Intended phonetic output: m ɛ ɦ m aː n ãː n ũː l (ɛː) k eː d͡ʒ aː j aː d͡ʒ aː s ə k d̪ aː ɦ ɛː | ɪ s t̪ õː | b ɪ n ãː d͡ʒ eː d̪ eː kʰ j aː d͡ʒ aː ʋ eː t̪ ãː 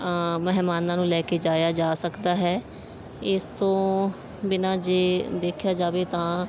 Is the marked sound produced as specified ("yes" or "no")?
yes